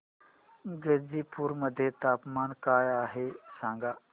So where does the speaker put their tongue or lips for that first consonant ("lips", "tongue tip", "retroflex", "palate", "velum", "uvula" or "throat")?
velum